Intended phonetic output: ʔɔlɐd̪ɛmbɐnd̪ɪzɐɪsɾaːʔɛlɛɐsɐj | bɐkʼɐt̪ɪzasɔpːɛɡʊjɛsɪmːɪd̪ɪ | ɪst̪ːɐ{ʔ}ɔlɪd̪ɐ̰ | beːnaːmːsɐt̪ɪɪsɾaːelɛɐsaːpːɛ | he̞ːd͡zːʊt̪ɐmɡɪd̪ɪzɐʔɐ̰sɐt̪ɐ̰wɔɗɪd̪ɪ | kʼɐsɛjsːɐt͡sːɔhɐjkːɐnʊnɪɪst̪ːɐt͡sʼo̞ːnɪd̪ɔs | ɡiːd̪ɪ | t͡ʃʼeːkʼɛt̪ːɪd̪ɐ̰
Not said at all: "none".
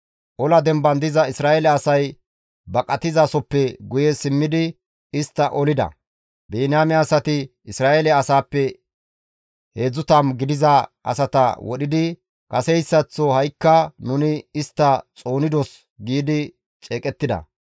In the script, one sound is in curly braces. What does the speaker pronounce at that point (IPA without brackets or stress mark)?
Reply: ʔ